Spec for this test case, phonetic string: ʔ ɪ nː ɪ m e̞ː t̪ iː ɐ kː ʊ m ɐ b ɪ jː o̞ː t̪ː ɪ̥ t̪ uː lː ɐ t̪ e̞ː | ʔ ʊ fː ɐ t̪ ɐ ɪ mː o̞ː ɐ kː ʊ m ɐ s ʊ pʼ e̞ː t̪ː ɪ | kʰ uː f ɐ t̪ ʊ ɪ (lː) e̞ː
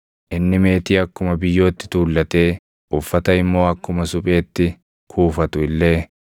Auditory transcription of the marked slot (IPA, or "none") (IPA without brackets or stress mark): lː